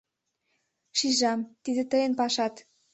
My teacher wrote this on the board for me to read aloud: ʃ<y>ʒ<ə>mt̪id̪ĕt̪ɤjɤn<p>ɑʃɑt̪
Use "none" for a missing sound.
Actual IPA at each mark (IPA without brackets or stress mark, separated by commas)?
i, ɑ, p